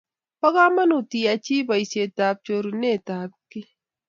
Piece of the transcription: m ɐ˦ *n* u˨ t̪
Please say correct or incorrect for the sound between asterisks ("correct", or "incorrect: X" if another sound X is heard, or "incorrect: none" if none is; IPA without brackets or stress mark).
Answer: correct